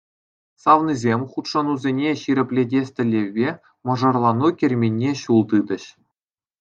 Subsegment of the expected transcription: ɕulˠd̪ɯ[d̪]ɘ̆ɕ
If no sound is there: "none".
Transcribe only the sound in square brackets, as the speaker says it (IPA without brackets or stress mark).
d̪